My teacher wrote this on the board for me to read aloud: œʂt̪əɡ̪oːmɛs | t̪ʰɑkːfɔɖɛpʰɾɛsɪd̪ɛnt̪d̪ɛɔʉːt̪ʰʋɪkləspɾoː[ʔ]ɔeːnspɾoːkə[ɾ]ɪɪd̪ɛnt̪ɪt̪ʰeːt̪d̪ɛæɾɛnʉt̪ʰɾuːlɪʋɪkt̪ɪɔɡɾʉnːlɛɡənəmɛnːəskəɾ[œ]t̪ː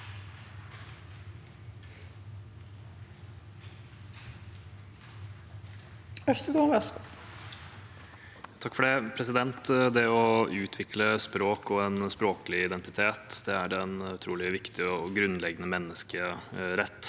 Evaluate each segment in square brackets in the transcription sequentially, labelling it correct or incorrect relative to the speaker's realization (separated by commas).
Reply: incorrect, incorrect, incorrect